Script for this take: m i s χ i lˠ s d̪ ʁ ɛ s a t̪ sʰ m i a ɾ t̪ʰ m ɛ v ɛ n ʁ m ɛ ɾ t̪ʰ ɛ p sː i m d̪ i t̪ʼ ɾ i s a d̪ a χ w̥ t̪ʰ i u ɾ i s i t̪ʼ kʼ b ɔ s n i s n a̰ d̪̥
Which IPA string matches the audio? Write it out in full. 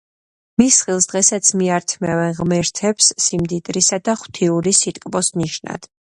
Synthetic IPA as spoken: m i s χ i lˠ s d̪ ʁ ɛ s a t̪ sʰ m i a ɾ t̪ʰ m ɛ v ɛ n ʁ m ɛ ɾ t̪ʰ ɛ p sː i m d̪ i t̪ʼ ɾ i s a d̪ a χ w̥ t̪ʰ i u ɾ i s i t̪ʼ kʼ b ɔ s n i ʃ n a̰ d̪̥